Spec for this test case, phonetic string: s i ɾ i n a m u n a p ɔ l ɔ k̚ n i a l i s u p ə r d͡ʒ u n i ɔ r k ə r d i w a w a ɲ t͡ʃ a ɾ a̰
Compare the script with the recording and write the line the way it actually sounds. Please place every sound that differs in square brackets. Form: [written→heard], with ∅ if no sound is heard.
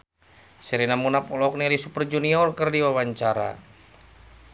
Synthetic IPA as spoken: s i ɾ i n a m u n a p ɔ l ɔ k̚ n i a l i s u p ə r d͡ʒ u n i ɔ r k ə r d i w a w a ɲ t͡ʃ a ɾ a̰

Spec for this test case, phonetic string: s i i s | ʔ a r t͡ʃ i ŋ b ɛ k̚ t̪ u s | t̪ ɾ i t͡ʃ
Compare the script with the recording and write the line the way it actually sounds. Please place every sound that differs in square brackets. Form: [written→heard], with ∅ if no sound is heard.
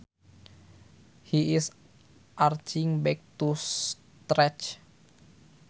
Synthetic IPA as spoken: [s→h] i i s | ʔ a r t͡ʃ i ŋ b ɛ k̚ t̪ u s | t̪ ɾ [i→ɛ] t͡ʃ

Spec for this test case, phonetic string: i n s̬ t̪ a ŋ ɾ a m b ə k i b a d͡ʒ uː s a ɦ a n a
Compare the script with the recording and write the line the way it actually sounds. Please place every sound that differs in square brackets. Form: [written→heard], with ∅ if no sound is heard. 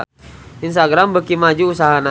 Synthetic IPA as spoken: i n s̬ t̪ a [ŋ→ɡ] ɾ a m b ə k i [b→m] a d͡ʒ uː s a ɦ a n a

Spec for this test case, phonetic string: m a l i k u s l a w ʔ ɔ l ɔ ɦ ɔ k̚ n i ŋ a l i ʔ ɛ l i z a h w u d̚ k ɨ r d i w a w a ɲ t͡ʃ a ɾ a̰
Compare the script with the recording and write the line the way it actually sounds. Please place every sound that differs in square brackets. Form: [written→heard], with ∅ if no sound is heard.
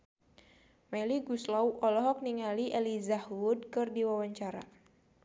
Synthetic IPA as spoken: m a l i [k→ɡ] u s l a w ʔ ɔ l ɔ ɦ ɔ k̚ n i ŋ a l i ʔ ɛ l i z a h w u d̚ k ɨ r d i w a w a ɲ t͡ʃ a ɾ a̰

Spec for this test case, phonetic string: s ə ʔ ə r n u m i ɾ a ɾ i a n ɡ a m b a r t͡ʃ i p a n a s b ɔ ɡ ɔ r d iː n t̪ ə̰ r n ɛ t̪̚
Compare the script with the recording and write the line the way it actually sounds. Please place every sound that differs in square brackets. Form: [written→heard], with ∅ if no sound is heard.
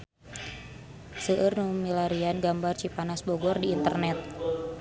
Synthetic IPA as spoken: s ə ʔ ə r n u m i [ɾ→l] a ɾ i a n ɡ a m b a r t͡ʃ i p a n a s b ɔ ɡ ɔ r d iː n t̪ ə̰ r n ɛ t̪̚

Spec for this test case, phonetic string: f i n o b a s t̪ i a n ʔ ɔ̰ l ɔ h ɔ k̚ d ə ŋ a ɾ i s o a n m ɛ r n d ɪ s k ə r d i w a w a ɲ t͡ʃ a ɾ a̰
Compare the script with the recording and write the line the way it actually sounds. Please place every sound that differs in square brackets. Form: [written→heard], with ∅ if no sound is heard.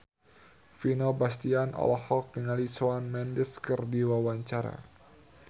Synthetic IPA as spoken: f i n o b a s t̪ i a n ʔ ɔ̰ l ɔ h ɔ k̚ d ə ŋ a [ɾ→l] i s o a n m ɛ [r→∅] n d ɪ s k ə r d i w a w a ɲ t͡ʃ a ɾ a̰

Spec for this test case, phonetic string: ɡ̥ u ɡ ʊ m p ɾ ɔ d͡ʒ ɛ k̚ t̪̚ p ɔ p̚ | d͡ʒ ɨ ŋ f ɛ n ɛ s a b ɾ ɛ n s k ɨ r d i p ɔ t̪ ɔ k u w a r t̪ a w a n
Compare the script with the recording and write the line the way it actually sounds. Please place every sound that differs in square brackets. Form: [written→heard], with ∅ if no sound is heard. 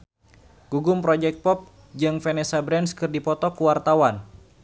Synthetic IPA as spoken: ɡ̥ u ɡ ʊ m p ɾ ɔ d͡ʒ ɛ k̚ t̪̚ p ɔ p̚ | d͡ʒ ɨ ŋ f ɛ n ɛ s a b ɾ ɛ n s k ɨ r d i p ɔ t̪ ɔ k u w a r t̪ a w a n

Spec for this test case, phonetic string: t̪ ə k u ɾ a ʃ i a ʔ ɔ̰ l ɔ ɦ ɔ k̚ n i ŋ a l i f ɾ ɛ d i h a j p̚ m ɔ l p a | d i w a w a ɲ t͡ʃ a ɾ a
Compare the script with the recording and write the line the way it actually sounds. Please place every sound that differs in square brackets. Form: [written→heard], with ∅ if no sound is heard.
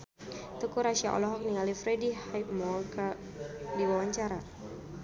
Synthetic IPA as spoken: t̪ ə k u ɾ a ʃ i a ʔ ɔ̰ l ɔ ɦ ɔ k̚ n i ŋ a l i f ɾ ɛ d i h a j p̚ m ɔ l [p→k] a | d i w a w a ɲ t͡ʃ a ɾ a

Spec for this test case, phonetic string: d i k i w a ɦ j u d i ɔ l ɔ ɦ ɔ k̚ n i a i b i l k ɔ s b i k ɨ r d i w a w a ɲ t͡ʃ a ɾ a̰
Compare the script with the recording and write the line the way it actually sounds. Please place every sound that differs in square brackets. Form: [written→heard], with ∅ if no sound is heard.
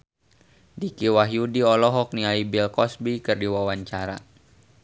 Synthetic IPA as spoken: d i k i w a ɦ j u d i ɔ l ɔ ɦ ɔ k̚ n i a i b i l k ɔ s b i k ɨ r d i w a w a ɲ t͡ʃ a ɾ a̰

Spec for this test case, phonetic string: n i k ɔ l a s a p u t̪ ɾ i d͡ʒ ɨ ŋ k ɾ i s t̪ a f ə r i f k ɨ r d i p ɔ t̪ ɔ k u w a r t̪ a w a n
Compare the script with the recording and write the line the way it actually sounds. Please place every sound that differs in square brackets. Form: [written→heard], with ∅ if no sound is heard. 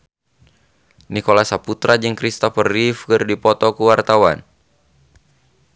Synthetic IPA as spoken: n i k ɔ l a s a p u t̪ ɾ [i→a] d͡ʒ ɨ ŋ k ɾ i s t̪ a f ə r i f k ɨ r d i p ɔ t̪ ɔ k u w a r t̪ a w a n

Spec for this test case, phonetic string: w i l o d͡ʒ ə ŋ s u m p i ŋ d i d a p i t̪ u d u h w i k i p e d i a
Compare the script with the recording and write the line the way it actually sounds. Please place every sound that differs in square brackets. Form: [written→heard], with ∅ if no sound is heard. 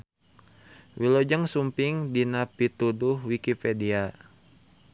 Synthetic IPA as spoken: w i l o d͡ʒ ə ŋ s u m p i ŋ d i [d→n] a p i t̪ u d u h w i k i p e d i a

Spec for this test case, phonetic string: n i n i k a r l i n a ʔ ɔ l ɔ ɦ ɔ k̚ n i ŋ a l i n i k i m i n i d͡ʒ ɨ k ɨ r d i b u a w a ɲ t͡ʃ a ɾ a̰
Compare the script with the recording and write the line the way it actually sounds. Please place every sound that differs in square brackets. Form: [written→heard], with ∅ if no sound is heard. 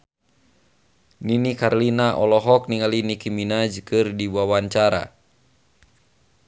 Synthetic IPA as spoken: n i n i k a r l i n a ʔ ɔ l ɔ ɦ ɔ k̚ n i ŋ a l i n i k i m i n [i→a] d͡ʒ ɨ k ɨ r d i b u a w a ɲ t͡ʃ a ɾ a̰

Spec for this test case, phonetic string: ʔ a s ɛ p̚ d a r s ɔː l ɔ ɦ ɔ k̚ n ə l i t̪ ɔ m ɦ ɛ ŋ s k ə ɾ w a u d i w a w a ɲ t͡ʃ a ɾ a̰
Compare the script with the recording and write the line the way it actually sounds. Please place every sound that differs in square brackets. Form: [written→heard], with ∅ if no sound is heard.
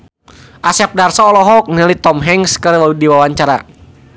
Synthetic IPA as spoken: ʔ a s ɛ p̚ d a r s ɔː l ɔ ɦ ɔ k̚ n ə l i t̪ ɔ m ɦ ɛ ŋ s k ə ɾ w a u d i w a w a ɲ t͡ʃ a ɾ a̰

